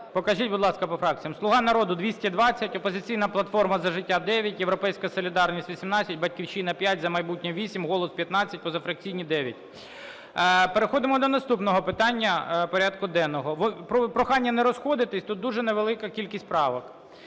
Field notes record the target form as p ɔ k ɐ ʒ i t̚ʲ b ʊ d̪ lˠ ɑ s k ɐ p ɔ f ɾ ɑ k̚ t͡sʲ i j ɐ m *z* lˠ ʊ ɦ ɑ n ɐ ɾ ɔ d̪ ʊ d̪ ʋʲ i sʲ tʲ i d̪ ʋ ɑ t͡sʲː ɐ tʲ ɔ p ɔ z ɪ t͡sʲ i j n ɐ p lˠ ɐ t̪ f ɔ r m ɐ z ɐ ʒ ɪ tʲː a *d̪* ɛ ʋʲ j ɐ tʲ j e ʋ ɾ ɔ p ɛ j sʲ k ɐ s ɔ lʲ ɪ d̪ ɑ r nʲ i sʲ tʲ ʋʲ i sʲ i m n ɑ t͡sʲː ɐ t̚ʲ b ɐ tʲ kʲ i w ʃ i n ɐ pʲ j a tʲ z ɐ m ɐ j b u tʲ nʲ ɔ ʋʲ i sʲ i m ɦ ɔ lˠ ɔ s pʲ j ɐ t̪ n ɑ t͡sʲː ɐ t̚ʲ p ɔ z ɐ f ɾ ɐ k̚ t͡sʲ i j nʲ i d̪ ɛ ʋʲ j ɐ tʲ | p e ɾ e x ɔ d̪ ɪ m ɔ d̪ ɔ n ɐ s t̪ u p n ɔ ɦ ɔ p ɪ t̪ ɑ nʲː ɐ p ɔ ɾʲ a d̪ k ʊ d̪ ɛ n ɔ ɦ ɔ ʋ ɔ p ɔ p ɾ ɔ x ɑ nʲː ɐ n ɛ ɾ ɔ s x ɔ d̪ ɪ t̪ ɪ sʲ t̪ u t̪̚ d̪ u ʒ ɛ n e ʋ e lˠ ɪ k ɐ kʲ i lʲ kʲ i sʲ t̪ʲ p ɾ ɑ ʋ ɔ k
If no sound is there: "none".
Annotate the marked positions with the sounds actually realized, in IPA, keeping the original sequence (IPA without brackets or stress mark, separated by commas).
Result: s, d̪